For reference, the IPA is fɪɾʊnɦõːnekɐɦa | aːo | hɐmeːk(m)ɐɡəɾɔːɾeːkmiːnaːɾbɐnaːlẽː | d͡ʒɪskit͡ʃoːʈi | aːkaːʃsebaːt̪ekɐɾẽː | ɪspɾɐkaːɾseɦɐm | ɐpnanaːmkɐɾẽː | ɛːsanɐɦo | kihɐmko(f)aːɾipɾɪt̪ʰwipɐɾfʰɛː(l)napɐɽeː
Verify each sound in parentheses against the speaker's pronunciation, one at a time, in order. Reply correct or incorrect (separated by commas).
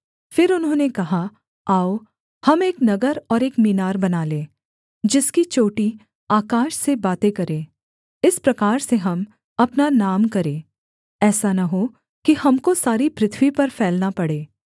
incorrect, incorrect, correct